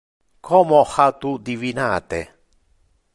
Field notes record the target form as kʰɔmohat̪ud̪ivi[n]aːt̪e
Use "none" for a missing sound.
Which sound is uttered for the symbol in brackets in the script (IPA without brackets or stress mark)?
n